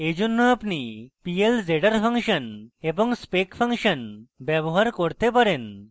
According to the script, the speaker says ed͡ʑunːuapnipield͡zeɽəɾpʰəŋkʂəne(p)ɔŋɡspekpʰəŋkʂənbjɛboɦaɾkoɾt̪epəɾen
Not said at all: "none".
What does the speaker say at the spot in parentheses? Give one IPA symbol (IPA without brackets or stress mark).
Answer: b